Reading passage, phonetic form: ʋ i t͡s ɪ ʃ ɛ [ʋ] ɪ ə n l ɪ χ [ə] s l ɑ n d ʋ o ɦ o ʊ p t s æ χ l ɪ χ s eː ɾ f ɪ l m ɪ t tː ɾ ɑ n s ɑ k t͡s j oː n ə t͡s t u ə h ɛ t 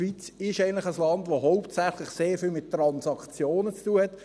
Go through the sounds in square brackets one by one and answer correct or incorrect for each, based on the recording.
incorrect, correct

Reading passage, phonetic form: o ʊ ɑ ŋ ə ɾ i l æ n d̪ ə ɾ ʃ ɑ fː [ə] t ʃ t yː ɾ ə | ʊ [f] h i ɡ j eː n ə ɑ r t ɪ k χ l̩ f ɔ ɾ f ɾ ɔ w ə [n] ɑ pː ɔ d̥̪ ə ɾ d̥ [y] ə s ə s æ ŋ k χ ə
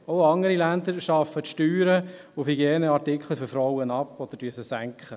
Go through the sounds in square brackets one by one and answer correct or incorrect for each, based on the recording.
correct, correct, correct, correct

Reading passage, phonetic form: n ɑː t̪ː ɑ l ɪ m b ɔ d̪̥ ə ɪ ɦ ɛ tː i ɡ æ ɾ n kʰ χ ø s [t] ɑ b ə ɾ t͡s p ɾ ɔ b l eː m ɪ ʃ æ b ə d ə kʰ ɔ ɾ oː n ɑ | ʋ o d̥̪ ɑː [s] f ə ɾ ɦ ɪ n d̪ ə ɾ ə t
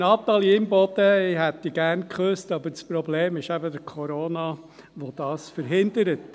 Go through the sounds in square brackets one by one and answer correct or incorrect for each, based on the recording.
correct, correct

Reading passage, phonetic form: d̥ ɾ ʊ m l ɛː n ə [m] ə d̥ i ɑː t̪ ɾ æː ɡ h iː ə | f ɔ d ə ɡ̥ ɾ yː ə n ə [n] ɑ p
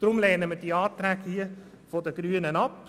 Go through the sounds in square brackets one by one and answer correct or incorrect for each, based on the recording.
correct, correct

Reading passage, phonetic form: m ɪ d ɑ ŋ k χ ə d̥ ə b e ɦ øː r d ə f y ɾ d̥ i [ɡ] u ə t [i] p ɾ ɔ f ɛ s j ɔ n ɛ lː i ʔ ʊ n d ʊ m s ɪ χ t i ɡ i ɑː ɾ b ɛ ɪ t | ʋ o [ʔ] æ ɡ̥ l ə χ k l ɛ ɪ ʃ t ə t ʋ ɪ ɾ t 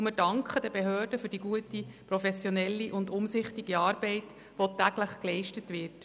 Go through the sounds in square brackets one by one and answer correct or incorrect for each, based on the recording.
correct, correct, incorrect

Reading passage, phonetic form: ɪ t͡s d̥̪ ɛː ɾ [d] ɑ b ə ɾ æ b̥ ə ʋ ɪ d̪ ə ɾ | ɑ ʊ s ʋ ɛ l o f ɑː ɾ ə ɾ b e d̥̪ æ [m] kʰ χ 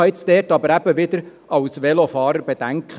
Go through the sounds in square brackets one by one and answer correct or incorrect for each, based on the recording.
incorrect, incorrect

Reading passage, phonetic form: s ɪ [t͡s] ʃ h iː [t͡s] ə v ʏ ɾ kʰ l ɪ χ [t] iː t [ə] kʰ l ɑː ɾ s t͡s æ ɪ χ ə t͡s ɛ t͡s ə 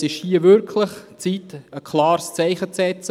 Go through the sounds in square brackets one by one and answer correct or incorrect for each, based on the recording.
incorrect, incorrect, incorrect, correct

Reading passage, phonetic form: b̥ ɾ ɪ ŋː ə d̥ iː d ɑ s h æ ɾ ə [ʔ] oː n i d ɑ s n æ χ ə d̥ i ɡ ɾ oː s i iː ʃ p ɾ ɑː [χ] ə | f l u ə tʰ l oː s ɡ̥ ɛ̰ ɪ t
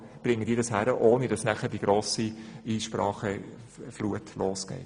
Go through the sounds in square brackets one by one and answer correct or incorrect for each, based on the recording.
correct, correct

